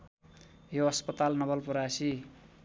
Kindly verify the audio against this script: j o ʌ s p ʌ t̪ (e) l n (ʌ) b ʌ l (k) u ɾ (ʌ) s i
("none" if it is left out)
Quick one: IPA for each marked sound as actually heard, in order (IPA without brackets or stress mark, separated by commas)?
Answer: a, ʌ, p, a